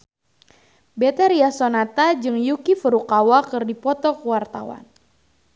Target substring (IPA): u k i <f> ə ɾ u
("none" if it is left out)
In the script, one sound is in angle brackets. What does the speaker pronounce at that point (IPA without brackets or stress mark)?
f